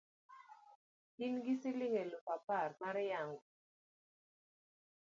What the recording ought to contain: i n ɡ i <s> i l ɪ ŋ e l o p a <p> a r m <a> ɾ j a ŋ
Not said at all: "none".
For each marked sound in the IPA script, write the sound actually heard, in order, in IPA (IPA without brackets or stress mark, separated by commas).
s, p, a